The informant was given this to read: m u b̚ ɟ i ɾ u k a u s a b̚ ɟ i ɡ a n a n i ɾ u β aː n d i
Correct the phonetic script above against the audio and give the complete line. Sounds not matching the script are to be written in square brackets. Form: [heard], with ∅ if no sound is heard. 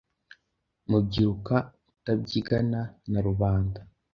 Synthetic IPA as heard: m u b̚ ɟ i ɾ u k a u [t] a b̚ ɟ i ɡ a n a n [a] ɾ u β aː n d [a]